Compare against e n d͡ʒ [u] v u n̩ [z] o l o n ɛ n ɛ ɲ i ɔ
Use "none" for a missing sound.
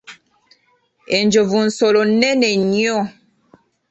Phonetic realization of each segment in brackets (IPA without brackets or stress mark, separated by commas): o, s